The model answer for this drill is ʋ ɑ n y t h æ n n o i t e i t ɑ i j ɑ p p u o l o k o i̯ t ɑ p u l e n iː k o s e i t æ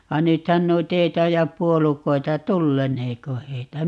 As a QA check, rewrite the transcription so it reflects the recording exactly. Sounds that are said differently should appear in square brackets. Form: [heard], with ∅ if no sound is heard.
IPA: ʋ ɑ n y t h æ n n o i t e i t ɑ i j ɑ p p u o l [u] k o i̯ t ɑ [t] u [lː] e n [eː] k o [h] e i t æ